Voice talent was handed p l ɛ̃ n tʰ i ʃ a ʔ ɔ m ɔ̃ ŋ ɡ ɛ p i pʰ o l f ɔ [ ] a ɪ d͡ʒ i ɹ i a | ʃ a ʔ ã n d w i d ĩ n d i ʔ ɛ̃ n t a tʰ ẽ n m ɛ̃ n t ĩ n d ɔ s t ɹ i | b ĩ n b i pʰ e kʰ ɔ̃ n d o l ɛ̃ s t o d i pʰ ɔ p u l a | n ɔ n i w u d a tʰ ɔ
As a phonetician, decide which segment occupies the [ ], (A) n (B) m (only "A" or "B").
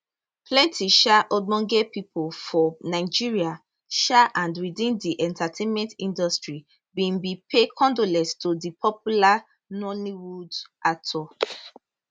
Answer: A